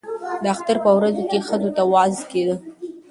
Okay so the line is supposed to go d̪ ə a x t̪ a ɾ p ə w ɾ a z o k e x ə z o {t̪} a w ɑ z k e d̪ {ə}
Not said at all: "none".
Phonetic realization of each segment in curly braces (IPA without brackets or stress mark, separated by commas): t̪, ə